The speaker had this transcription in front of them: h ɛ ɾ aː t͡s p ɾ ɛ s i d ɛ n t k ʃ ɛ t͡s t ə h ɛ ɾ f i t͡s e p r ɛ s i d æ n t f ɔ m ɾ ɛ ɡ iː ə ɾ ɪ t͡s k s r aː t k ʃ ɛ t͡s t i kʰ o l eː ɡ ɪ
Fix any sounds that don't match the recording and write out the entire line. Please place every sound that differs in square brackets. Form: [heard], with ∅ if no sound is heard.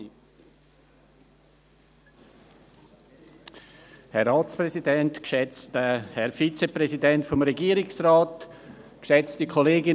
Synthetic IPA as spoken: h ɛ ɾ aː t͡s p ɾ ɛ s i d ɛ n t k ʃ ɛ t͡s t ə h ɛ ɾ f i t͡s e p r ɛ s i d [ɛ] n t f ɔ m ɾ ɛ ɡ iː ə ɾ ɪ [∅] k s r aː t k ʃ ɛ t͡s t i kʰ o l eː ɡ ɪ